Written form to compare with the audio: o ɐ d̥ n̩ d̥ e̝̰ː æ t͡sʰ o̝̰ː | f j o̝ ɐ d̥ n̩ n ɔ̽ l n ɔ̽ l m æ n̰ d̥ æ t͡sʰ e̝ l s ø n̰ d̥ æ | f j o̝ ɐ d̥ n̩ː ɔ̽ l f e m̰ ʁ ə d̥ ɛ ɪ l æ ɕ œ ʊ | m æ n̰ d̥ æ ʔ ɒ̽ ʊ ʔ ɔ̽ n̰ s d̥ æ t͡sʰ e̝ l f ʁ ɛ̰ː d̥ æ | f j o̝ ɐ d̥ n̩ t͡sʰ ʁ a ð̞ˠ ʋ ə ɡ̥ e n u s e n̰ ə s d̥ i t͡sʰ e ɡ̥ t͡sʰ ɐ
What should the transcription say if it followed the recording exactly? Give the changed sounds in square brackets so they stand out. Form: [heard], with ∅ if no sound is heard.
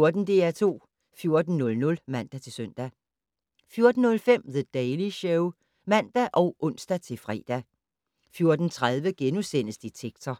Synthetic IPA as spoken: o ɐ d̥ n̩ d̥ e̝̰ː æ t͡sʰ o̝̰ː | f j o̝ ɐ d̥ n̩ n ɔ̽ l n ɔ̽ l m æ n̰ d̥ æ t͡sʰ e̝ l s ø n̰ d̥ æ | f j o̝ ɐ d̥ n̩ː ɔ̽ l f e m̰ [ð] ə d̥ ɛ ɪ l [i] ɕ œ ʊ | m æ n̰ d̥ æ ʔ ɒ̽ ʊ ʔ ɔ̽ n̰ s d̥ æ t͡sʰ e̝ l f ʁ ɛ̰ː d̥ æ | f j o̝ ɐ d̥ n̩ t͡sʰ ʁ a ð̞ˠ ʋ ə ɡ̥ e n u s e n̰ ə s d̥ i t͡sʰ e ɡ̥ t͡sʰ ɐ